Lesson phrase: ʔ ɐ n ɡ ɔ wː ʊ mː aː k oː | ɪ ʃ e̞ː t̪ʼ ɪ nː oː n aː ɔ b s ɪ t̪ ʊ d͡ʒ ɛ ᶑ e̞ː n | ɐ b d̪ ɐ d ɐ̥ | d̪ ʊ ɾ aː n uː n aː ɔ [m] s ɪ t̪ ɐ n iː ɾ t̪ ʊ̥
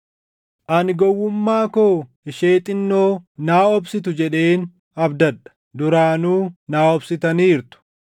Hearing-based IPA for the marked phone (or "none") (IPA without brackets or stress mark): b